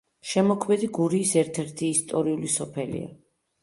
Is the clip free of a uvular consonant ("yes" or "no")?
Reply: yes